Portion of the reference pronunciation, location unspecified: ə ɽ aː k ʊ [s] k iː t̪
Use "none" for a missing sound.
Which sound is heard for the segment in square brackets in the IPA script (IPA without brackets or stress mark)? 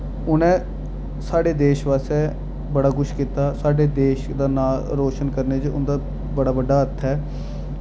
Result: ʃ